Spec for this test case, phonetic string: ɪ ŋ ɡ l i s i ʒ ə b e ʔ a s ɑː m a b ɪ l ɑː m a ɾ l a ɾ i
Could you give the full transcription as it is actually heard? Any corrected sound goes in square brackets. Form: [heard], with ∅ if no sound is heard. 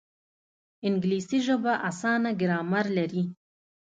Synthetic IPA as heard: ɪ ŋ ɡ l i s i ʒ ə b [a] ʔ a s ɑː [n] a [ɡ] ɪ [ɾ] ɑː m a ɾ l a ɾ i